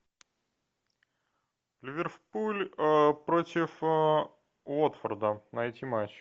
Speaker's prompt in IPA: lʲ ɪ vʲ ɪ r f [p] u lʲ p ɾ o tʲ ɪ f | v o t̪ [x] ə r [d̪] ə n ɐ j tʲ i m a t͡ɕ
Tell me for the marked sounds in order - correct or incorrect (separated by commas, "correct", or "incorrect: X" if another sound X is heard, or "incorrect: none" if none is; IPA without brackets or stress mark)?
correct, incorrect: f, correct